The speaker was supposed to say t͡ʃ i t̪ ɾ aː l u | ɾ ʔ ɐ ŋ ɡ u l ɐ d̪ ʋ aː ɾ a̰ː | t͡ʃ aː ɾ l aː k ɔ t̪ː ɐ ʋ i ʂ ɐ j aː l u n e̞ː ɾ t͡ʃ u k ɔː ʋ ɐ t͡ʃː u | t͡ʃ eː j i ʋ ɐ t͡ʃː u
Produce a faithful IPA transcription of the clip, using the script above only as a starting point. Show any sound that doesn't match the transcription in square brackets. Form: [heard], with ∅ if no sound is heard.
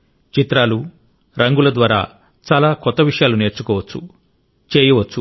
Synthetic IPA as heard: t͡ʃ i t̪ ɾ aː l u | ɾ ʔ ɐ ŋ ɡ u l ɐ d̪ ʋ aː ɾ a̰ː | t͡ʃ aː [∅] l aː k ɔ t̪ː ɐ ʋ i ʂ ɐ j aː l u n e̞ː ɾ t͡ʃ u k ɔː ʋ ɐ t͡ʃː u | t͡ʃ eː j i ʋ ɐ t͡ʃː u